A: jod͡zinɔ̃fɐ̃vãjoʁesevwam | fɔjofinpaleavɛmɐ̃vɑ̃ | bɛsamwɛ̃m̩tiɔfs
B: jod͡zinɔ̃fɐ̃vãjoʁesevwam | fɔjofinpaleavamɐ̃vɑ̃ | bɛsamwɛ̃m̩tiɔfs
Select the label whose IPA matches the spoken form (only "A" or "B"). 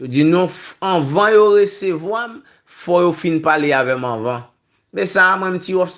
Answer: A